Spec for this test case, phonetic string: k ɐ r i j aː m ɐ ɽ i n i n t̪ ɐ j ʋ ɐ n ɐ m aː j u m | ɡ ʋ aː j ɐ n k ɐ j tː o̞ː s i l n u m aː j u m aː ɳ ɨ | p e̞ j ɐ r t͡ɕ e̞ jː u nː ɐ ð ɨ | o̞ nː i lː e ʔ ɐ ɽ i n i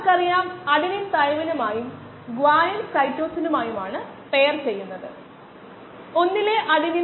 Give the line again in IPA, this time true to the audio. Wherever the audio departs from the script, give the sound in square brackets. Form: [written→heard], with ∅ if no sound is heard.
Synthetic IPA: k ɐ r i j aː m ɐ ɽ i n i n t̪ ɐ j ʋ ɐ n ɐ m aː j u m | ɡ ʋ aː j ɐ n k ɐ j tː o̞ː s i [l→∅] n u m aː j u m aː ɳ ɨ | p e̞ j ɐ r t͡ɕ e̞ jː u nː ɐ ð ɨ | o̞ nː i [lː→l] e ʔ ɐ ɽ i n i